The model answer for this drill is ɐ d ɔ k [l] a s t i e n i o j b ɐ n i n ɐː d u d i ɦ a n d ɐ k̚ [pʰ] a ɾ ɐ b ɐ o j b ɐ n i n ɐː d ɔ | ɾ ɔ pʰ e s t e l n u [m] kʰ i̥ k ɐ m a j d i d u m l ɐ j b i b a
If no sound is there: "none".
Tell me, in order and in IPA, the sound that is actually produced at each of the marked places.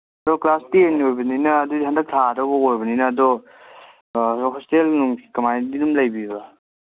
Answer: l, tʰ, ŋ

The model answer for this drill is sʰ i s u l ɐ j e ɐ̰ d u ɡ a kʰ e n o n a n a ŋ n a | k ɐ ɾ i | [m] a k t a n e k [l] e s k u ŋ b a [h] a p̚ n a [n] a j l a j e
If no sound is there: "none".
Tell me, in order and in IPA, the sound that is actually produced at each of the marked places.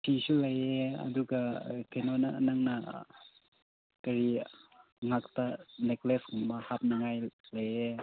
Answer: ŋ, l, h, ŋ

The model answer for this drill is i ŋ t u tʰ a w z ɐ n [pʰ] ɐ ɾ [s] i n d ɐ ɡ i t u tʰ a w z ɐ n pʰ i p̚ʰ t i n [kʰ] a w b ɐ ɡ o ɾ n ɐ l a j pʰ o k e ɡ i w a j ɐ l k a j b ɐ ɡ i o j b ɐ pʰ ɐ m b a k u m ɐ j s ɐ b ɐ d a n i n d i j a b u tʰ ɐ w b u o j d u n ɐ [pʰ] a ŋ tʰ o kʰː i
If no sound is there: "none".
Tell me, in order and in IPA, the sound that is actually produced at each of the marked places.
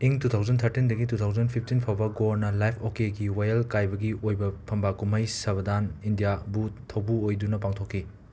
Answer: tʰ, t, pʰ, p

